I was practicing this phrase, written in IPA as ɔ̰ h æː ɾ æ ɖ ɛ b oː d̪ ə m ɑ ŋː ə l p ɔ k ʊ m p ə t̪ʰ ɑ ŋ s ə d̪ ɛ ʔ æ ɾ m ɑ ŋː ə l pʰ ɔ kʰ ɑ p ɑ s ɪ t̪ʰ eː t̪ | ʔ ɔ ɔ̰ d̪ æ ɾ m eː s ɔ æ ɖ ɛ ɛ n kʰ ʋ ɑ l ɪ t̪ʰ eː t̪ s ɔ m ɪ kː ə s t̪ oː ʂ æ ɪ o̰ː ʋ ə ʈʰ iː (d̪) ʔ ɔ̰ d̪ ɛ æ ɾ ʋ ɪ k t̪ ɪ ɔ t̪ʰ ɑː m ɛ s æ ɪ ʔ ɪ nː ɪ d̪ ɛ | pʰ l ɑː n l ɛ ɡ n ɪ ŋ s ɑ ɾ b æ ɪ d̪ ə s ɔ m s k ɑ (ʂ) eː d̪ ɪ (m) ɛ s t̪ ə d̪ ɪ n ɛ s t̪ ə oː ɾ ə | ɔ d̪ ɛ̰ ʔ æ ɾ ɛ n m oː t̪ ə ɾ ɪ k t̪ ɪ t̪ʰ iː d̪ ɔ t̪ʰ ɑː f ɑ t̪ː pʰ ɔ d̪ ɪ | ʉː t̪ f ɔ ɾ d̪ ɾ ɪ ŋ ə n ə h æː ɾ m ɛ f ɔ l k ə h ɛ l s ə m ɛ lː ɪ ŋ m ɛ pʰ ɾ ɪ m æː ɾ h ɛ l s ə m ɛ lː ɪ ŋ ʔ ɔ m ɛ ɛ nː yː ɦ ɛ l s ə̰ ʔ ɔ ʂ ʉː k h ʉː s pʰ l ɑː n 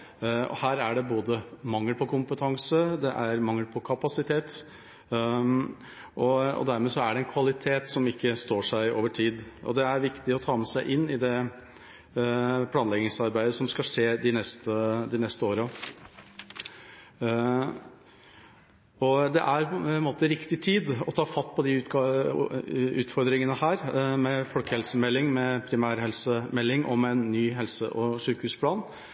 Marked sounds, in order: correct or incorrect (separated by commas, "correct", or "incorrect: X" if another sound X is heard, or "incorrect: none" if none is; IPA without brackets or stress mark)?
correct, correct, incorrect: n